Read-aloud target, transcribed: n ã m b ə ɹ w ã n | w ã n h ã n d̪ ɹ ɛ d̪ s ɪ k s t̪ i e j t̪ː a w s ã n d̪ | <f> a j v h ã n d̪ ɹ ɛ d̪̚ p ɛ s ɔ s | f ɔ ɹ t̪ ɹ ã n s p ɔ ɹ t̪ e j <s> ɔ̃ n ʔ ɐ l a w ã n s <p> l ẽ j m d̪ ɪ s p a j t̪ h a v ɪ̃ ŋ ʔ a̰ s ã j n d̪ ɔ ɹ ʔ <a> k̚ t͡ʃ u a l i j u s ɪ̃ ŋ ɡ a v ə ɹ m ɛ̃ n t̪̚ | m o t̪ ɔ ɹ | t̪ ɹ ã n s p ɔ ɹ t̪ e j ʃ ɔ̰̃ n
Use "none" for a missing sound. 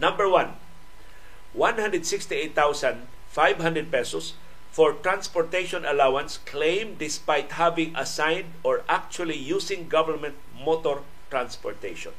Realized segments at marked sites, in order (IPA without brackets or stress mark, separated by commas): f, ʃ, k, a